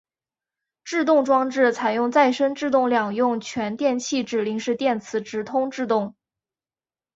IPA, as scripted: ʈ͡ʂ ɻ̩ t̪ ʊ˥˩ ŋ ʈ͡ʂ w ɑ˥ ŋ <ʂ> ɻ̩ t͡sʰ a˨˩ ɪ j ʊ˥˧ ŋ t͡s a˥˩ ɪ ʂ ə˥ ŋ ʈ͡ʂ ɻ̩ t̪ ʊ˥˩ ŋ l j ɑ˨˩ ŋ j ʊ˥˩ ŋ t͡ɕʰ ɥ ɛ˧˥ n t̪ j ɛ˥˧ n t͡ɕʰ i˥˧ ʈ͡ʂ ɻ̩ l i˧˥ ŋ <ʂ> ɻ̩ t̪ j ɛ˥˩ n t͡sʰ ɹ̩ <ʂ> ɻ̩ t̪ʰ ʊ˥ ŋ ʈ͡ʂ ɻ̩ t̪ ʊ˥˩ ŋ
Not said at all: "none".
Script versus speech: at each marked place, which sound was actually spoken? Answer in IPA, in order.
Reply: ʈ͡ʂ, ʂ, ʈ͡ʂ

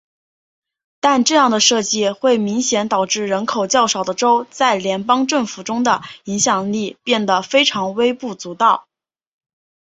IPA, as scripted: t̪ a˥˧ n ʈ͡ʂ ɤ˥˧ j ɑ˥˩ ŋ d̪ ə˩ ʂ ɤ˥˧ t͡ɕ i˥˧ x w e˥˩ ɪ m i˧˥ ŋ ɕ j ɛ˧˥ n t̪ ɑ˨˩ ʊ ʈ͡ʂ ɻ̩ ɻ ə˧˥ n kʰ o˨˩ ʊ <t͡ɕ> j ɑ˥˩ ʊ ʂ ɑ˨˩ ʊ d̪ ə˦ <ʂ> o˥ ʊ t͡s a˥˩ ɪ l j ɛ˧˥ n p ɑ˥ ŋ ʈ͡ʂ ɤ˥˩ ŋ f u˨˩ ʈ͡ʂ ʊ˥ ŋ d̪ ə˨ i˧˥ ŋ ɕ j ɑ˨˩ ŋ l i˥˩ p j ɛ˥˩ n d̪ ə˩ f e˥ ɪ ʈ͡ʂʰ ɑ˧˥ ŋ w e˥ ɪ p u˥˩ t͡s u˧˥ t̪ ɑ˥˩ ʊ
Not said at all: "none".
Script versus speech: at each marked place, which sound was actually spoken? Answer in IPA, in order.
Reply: t͡ɕ, ʈ͡ʂ

